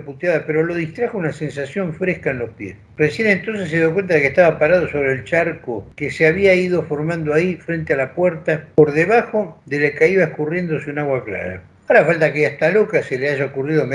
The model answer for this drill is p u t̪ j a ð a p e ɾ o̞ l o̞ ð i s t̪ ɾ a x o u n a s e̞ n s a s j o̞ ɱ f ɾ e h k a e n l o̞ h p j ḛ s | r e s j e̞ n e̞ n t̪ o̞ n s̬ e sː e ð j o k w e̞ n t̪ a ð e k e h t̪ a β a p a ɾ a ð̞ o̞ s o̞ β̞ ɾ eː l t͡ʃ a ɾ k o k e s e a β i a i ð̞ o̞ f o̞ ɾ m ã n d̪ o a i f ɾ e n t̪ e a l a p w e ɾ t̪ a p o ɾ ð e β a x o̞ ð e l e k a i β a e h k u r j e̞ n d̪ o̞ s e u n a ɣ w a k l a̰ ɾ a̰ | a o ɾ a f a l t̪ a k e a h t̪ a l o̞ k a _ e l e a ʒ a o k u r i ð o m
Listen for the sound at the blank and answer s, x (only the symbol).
s